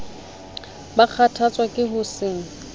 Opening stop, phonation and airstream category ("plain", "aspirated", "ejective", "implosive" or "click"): plain